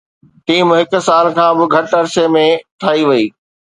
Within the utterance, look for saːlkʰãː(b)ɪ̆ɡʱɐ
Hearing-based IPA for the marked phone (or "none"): b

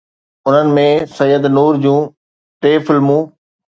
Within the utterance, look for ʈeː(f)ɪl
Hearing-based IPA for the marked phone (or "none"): f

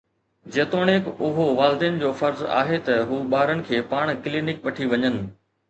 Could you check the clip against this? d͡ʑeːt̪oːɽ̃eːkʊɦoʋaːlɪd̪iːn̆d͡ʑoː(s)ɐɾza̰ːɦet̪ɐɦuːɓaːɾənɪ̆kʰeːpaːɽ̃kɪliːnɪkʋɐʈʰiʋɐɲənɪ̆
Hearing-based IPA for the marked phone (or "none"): f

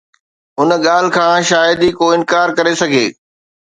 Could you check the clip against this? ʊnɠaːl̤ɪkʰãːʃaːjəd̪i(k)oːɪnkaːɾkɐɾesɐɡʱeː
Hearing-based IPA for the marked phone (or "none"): k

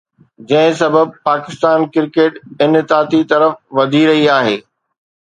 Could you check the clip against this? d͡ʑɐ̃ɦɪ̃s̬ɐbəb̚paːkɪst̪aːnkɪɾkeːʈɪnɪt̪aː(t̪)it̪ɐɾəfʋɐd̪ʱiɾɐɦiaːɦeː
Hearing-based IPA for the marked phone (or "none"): t̪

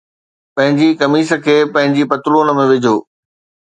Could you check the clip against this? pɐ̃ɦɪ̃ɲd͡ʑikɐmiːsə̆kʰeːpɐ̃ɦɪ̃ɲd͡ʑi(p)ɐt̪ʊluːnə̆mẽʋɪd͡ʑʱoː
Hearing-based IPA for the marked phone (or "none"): p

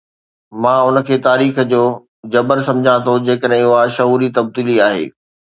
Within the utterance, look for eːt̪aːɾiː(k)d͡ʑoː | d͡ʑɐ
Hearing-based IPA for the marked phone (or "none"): x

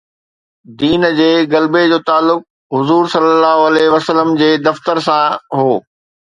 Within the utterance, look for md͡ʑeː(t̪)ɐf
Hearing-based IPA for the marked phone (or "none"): d̪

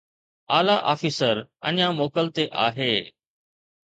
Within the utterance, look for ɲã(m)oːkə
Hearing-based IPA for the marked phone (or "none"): m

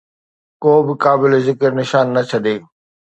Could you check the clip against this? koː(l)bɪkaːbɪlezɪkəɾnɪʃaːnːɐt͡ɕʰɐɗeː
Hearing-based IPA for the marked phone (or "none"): none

